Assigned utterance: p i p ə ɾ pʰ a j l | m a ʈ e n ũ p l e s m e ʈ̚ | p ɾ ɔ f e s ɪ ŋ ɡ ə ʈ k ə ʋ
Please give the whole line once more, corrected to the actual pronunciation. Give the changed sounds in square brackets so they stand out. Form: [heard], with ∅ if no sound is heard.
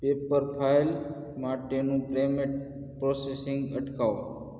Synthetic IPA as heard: p [e] p ə ɾ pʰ a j l | m a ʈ e n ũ p l e [∅] m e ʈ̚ | p ɾ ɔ [s] e s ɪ ŋ ɡ ə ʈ k [a] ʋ